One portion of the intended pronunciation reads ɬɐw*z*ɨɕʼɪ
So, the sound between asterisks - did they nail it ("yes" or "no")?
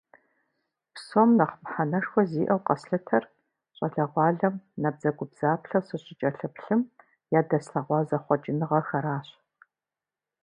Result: no